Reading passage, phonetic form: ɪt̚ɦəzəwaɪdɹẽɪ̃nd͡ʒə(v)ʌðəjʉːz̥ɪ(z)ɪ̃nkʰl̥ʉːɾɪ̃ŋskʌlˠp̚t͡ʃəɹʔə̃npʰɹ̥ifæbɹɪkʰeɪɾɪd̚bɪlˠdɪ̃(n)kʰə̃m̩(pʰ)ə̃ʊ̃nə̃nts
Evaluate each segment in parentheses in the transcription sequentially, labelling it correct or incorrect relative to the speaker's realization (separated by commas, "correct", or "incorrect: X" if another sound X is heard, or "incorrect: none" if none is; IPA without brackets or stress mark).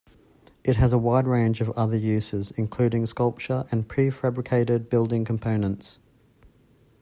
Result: correct, correct, incorrect: ŋ, correct